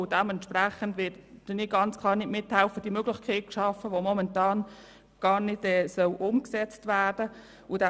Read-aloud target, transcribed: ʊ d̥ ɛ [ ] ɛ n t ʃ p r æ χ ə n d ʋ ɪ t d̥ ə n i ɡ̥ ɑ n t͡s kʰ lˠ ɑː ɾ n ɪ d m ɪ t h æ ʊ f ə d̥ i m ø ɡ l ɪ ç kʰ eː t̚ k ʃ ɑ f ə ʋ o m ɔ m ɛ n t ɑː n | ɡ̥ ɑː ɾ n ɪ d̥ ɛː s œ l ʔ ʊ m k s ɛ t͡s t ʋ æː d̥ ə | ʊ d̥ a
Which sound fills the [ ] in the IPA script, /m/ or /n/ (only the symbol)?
m